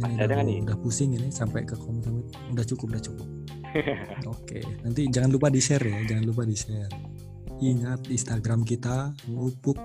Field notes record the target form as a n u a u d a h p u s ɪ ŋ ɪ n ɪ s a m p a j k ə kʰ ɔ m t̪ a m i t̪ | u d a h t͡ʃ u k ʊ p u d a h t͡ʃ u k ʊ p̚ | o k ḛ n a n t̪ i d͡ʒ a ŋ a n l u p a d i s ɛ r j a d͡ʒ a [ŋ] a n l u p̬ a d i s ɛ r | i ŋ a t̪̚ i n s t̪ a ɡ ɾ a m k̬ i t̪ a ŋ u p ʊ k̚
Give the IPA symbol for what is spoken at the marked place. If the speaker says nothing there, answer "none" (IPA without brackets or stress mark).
ŋ